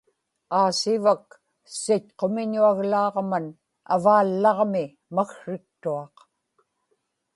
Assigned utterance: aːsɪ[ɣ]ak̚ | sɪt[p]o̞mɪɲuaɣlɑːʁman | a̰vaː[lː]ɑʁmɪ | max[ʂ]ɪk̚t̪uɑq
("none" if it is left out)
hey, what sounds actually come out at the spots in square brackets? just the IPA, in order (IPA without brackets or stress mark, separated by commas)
v, q, lː, ʂ